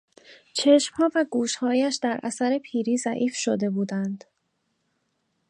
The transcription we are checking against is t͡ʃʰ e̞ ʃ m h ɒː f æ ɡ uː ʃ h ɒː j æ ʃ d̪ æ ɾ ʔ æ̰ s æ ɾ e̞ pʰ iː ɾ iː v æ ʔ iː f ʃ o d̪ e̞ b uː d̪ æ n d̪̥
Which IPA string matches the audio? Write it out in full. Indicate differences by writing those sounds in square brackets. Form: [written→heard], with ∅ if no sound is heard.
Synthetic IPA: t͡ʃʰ e̞ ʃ m h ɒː [f→v] æ ɡ uː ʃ h ɒː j æ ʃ d̪ æ ɾ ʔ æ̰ s æ ɾ e̞ pʰ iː ɾ iː [v→z] æ ʔ iː f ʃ o d̪ e̞ b uː d̪ æ n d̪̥